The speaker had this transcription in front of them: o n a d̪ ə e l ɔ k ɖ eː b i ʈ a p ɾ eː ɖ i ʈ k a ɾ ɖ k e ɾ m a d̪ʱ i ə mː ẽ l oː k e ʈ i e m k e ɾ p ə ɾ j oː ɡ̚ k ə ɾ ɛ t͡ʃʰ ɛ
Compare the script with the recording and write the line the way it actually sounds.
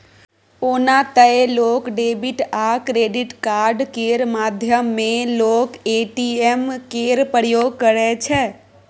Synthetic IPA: o n a t̪ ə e l o k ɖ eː b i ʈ a k ɾ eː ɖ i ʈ k a ɾ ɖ k e ɾ m a d̪ʱ j ə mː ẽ l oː k e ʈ i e m k e ɾ p ə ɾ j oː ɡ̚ k ə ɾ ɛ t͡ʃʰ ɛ